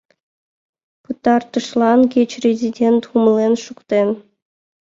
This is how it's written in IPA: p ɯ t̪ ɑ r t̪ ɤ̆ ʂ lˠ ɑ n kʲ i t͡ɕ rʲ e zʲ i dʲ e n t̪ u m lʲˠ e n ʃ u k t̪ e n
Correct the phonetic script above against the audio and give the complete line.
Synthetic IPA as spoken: p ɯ t̪ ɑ r t̪ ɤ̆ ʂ lˠ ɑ n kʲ e t͡ɕ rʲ e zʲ i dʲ e n t̪ u m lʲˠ e n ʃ u k t̪ e n